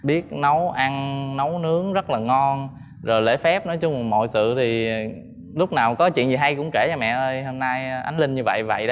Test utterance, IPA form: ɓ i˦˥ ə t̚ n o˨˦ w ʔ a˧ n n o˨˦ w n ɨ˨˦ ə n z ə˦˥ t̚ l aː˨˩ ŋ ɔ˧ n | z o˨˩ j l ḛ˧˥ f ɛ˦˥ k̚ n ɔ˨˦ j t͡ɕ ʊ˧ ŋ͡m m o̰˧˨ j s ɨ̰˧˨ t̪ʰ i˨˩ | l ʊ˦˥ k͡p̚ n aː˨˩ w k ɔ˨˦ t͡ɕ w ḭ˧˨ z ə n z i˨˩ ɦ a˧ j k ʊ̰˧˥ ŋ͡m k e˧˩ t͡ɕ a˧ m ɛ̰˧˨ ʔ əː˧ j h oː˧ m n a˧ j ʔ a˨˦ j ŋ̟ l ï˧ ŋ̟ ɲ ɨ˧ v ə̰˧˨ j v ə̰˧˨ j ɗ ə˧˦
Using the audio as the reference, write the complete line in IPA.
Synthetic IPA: ɓ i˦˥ ə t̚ n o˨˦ w ʔ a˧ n n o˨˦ w n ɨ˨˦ ə ŋ z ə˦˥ t̚ l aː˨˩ ŋ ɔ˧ n | z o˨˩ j l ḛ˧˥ f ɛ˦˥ p̚ n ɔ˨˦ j t͡ɕ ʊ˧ ŋ͡m m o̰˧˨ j s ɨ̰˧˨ t̪ʰ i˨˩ | l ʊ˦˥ k͡p̚ n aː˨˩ w k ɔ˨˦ t͡ɕ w ḭ˧˨ ə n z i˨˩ ɦ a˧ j k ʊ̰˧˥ ŋ͡m k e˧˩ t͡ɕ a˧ m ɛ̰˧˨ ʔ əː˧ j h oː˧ m n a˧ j ʔ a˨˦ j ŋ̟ l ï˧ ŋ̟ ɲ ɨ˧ v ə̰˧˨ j v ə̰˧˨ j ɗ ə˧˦